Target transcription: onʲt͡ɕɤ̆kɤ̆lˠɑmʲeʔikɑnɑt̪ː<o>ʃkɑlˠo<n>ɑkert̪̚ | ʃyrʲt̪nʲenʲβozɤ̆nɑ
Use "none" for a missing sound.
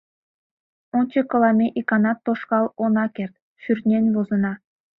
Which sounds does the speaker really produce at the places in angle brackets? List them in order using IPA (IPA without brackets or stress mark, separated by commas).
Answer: o, n